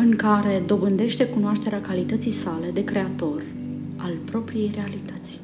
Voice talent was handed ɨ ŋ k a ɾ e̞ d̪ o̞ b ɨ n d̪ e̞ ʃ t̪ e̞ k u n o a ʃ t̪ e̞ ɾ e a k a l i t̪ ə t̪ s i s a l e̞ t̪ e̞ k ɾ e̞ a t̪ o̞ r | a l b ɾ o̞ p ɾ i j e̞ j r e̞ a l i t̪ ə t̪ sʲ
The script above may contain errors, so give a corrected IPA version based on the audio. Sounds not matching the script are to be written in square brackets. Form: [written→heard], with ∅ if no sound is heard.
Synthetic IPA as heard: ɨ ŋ k a ɾ e̞ d̪ o̞ b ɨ n d̪ e̞ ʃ t̪ e̞ k u n o a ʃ t̪ e̞ ɾ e a k a l i t̪ ə t̪ s i s a l e̞ [t̪→d̪] e̞ k ɾ e̞ a t̪ o̞ r | a l [b→p] ɾ o̞ p ɾ i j e̞ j r e̞ a l i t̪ ə t̪ sʲ